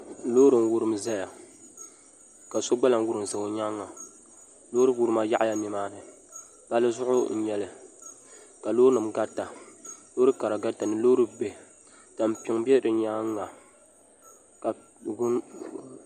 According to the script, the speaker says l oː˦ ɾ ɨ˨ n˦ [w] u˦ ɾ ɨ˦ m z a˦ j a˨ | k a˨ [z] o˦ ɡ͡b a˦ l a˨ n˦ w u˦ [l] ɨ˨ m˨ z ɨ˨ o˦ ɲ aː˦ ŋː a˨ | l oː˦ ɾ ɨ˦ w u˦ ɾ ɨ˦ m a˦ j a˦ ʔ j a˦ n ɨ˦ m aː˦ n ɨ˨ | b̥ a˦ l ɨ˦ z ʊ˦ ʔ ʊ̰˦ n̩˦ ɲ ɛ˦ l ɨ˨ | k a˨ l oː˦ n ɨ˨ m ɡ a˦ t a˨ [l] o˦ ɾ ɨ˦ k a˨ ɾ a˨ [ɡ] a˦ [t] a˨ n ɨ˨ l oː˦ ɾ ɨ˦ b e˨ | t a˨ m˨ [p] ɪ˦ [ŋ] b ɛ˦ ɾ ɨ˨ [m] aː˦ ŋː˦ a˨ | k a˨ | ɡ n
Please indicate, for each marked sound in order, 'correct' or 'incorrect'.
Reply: correct, incorrect, incorrect, correct, correct, correct, correct, correct, incorrect

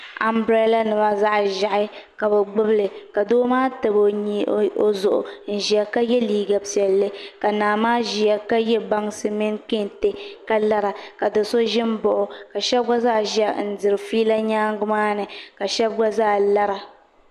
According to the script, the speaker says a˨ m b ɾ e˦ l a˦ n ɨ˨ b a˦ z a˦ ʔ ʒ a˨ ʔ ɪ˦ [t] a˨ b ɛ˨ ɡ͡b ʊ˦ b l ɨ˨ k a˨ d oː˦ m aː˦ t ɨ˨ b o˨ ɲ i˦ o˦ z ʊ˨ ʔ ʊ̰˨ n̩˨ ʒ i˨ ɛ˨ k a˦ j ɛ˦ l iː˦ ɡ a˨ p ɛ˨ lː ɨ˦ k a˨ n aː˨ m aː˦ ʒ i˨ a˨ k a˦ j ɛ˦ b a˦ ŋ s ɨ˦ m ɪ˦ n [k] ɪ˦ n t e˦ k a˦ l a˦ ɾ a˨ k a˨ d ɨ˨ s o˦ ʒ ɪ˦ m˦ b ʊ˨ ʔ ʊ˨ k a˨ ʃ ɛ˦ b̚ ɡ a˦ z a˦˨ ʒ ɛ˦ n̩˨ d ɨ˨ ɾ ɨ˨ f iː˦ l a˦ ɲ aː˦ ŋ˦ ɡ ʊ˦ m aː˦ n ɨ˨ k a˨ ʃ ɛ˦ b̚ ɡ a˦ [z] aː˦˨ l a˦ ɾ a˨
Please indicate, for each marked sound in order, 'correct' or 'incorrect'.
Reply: incorrect, correct, correct

